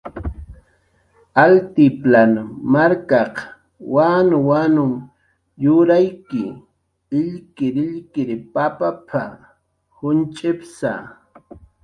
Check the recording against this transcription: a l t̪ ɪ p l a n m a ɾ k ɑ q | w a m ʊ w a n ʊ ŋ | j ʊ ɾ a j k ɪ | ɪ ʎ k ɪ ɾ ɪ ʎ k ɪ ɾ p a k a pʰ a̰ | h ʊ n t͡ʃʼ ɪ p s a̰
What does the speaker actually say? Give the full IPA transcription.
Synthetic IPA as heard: a l t̪ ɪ p l a n m a ɾ k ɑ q | w a n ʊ w a n ʊ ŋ | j ʊ ɾ a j k ɪ | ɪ ʎ k ɪ ɾ ɪ ʎ k ɪ ɾ p a p a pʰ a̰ | h ʊ n t͡ʃʼ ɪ p s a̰